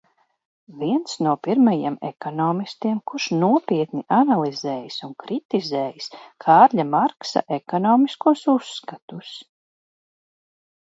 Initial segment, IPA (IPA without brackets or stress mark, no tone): v